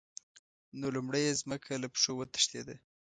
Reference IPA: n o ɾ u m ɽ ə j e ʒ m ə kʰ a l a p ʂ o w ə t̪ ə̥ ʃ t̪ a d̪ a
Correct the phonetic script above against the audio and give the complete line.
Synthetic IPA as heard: n o l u m ɽ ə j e z m ə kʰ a l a p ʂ o w ə t̪ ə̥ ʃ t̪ e d̪ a